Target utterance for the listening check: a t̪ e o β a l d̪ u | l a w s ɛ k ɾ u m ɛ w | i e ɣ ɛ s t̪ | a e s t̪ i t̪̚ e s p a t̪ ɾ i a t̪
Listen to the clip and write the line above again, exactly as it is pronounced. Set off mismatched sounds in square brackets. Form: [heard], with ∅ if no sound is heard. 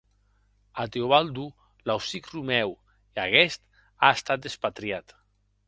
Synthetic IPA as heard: a t̪ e o β a l d̪ u | l a w s [i] k [r] u m ɛ w | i [a] ɣ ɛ s t̪ | a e s t̪ [a] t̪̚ e s p a t̪ ɾ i a t̪